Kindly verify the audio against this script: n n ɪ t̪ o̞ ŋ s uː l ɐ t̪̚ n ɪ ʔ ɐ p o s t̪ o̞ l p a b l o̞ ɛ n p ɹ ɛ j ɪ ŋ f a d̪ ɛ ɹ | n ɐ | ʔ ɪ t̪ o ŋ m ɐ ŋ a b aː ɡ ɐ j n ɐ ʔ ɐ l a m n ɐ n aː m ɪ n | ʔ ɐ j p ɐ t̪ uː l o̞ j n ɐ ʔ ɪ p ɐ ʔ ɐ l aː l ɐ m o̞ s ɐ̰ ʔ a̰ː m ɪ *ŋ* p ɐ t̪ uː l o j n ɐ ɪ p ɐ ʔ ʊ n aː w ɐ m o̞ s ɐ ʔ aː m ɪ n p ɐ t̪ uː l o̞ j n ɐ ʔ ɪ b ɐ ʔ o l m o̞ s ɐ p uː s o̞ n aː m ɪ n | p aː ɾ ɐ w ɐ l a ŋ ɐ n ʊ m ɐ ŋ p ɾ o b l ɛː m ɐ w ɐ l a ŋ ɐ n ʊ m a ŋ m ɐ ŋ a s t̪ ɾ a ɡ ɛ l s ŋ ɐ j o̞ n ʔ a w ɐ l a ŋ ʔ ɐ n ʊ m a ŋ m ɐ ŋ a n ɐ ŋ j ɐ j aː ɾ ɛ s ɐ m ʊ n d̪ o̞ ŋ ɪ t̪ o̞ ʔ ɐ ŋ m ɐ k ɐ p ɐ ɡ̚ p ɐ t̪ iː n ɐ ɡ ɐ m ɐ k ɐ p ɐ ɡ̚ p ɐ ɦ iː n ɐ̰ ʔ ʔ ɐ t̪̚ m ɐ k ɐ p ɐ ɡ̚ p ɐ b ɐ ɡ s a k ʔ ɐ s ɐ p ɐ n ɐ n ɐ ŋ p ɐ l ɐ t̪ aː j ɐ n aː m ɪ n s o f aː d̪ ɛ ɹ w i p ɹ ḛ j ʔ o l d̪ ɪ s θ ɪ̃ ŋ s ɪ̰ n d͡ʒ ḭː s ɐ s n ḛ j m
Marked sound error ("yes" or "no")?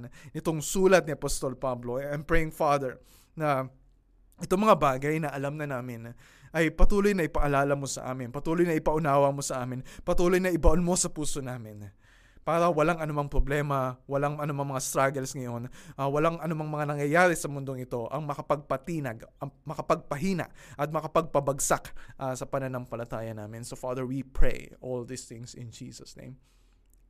yes